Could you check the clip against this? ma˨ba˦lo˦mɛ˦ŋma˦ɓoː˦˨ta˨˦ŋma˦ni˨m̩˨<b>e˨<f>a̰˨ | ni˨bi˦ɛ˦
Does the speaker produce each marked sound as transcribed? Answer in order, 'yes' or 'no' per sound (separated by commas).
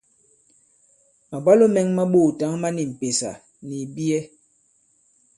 no, no